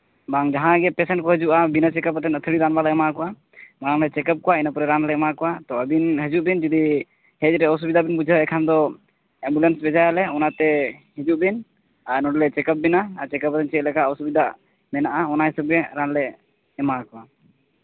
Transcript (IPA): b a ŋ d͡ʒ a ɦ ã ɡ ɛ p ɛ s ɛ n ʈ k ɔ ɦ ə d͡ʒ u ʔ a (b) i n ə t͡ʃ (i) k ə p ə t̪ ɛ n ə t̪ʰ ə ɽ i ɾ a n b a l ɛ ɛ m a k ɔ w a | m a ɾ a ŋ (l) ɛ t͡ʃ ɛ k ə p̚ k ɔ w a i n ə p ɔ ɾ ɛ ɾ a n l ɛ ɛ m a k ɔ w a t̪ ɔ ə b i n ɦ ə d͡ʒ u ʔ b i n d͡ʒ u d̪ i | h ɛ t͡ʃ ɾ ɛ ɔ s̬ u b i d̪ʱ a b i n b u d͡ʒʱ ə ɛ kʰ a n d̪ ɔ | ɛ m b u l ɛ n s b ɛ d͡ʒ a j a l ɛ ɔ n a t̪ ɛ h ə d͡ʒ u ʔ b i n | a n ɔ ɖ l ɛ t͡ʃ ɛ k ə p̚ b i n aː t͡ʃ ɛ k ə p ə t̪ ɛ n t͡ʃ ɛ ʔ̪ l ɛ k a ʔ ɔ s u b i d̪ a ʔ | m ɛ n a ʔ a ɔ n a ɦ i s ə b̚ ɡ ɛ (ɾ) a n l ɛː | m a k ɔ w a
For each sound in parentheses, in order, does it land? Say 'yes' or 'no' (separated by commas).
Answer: yes, no, yes, yes